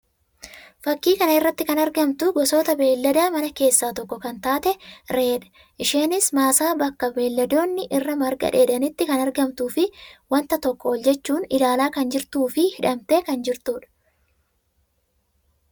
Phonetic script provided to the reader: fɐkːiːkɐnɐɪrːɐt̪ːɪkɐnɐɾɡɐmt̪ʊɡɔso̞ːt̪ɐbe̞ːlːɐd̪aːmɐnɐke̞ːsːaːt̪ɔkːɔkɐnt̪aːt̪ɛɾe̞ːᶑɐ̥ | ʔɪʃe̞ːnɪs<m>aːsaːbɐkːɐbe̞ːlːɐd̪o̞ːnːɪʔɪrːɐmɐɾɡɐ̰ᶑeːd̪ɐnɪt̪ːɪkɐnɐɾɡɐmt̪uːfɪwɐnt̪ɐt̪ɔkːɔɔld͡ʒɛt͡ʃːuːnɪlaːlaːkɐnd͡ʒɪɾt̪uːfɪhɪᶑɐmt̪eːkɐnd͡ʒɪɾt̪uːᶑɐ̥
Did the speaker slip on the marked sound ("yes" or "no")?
no